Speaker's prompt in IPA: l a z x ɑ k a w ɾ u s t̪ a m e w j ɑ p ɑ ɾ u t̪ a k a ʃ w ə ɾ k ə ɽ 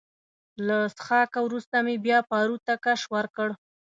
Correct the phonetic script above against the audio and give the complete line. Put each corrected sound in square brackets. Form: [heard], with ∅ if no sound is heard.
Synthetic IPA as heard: l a [s] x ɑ k a w ɾ u s t̪ a m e [b] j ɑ p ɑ ɾ u t̪ a k a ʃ w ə ɾ k ə ɽ

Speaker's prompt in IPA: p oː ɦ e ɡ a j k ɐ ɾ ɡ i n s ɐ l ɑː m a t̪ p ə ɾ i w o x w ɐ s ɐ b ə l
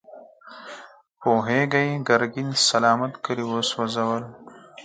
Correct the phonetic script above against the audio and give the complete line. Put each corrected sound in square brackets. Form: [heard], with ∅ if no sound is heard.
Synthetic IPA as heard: p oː ɦ e ɡ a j [ɡ] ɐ ɾ ɡ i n s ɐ l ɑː m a t̪ [k] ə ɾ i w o [s] w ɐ [z] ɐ [w] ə l

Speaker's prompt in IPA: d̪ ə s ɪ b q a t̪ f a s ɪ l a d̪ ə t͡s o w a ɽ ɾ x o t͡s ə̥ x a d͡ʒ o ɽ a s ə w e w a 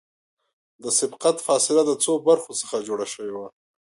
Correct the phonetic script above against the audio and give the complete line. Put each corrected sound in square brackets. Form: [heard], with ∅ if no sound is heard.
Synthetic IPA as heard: d̪ ə s ɪ b q a t̪ f [ɑ] s ɪ l a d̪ ə t͡s o [b] a [∅] ɾ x o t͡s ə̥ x a d͡ʒ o ɽ a [ʃ] ə w e w a

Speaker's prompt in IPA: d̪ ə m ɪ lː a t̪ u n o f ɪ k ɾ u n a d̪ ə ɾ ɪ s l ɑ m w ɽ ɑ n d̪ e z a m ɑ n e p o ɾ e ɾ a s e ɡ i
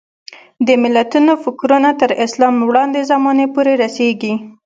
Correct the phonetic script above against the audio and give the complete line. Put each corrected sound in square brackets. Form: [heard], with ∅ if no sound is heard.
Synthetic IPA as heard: d̪ ə m ɪ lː a t̪ u n o f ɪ k ɾ u n a [t̪] ə ɾ ɪ s l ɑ m w ɽ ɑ n d̪ e z a m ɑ n e p o ɾ e ɾ a s e ɡ i

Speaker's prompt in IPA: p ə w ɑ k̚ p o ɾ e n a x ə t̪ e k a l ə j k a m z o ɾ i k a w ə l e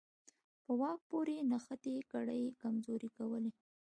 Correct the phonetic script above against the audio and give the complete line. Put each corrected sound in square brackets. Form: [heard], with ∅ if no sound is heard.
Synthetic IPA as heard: p ə w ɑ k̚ p o ɾ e n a x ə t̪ e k a [ɽ] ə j k a m z o ɾ i k a w ə l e

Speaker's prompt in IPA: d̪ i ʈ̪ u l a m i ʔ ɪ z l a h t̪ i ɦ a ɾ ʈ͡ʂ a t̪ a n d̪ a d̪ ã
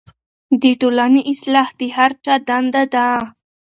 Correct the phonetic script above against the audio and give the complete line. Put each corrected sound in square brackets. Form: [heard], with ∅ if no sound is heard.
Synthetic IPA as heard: d̪ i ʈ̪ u l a [n] i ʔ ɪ [s] l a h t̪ i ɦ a ɾ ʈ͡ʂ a [d̪] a n d̪ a d̪ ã

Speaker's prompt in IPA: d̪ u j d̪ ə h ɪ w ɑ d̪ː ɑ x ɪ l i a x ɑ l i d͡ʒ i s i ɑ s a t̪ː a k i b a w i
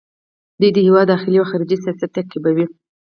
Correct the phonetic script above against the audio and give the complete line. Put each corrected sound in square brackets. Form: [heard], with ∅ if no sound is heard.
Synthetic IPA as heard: d̪ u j d̪ ə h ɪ w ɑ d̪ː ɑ x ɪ l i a x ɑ [ɾ] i d͡ʒ i s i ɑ s a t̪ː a k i b a w i

